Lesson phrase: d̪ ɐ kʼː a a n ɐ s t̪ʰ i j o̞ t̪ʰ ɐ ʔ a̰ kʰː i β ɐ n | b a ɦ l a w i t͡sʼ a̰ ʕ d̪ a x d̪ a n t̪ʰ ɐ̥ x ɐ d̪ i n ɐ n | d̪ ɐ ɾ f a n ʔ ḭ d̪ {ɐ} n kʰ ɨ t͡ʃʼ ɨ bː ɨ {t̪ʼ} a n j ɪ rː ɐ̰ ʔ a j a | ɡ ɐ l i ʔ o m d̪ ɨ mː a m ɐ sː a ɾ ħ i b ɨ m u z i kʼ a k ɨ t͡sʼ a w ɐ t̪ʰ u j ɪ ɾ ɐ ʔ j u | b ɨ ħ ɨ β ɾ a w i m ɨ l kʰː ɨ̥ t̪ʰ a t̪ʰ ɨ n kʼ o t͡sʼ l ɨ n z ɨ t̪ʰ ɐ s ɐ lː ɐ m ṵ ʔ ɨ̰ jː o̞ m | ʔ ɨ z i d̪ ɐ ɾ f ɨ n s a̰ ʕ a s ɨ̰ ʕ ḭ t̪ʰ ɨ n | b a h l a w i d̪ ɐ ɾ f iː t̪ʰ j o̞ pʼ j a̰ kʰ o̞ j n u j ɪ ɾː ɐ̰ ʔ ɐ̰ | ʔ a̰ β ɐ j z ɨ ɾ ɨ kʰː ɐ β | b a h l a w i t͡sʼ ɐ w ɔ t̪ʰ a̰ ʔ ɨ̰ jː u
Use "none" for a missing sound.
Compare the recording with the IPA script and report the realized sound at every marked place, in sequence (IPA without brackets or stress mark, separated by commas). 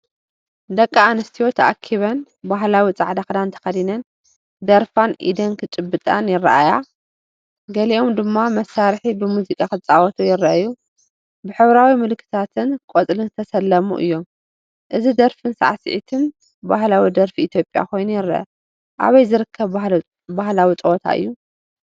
ɐ, t̪ʼ